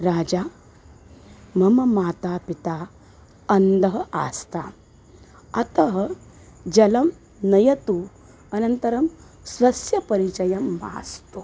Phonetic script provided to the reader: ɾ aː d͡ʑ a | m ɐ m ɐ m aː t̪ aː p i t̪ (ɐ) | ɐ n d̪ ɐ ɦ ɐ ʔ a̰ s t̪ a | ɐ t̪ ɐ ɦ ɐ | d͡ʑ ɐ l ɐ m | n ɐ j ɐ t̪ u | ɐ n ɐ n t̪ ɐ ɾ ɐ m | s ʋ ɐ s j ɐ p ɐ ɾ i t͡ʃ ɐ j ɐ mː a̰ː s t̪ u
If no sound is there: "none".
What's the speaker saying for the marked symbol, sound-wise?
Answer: a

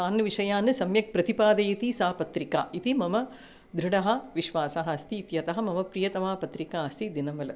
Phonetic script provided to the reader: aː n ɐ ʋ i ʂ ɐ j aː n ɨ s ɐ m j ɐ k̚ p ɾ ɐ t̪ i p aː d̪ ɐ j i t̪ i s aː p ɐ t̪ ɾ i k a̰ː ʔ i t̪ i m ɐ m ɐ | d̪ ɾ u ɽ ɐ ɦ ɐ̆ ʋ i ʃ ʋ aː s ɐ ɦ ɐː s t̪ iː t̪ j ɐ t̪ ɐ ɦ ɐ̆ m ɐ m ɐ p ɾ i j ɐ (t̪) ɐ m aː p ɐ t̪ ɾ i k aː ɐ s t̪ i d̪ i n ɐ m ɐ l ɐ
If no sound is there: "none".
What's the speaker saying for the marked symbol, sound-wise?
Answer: t̪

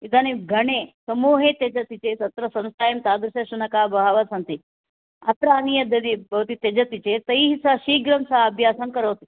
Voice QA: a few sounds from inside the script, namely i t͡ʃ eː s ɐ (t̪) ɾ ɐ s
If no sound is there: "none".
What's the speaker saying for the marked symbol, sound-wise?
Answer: t̪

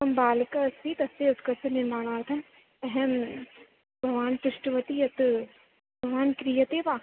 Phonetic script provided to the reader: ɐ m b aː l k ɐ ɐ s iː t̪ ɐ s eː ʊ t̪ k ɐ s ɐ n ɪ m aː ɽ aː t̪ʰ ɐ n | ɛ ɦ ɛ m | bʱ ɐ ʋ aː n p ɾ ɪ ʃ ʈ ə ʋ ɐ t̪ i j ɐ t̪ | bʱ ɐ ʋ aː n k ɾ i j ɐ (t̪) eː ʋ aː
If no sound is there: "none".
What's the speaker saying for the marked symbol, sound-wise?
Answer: t̪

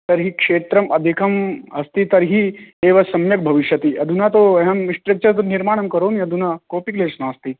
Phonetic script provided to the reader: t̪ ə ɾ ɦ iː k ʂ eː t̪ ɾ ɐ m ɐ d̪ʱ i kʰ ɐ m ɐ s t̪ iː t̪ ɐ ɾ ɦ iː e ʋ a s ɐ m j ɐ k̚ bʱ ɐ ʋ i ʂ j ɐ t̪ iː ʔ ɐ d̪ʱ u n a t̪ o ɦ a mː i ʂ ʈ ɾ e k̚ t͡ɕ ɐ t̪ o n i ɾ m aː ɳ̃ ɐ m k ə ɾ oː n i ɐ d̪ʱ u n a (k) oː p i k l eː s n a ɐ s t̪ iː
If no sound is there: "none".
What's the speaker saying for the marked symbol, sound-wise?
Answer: k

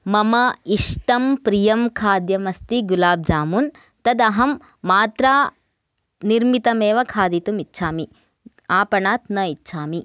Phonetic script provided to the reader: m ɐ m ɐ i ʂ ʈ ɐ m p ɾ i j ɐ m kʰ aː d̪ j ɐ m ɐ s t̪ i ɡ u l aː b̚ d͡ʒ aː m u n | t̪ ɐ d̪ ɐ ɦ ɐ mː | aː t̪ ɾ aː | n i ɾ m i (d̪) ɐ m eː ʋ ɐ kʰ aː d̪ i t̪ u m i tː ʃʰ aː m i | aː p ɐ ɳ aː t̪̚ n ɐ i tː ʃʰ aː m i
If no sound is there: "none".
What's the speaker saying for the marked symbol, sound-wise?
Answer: t̪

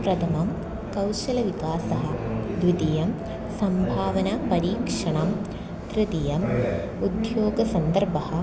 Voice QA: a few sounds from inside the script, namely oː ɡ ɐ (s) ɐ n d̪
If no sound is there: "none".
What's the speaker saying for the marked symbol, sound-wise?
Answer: s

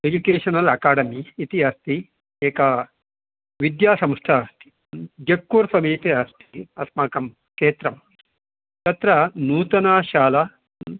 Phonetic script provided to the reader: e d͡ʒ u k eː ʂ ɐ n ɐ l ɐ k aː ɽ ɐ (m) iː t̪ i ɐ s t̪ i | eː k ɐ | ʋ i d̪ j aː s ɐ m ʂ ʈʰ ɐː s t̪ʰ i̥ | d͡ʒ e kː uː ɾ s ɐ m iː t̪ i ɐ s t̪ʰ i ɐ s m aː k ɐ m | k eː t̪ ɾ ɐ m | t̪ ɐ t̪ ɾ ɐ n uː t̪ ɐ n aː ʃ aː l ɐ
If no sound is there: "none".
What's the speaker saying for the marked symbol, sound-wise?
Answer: m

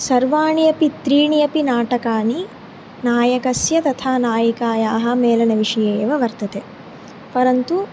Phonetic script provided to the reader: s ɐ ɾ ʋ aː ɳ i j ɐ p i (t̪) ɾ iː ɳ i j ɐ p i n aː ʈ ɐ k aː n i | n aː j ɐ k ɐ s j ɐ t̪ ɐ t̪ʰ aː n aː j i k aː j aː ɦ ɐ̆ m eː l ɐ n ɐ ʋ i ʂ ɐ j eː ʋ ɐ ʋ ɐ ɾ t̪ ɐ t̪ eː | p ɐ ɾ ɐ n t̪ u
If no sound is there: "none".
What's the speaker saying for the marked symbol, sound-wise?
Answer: t̪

